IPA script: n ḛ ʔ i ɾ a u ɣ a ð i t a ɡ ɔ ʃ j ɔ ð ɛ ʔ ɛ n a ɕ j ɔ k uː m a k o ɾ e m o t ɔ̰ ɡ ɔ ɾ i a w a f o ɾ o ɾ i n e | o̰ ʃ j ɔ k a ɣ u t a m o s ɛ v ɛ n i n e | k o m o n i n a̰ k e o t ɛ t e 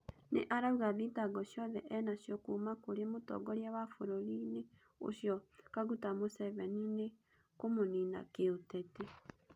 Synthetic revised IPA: n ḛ ʔ a ɾ a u ɣ a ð i t a ɡ ɔ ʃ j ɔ ð ɛ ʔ ɛ n a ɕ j ɔ k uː m a k o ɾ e m o t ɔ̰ ɡ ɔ ɾ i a w a f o ɾ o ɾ i n e | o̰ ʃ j ɔ k a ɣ u t a m o s ɛ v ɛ n i n e | k o m o n i n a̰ k e o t ɛ t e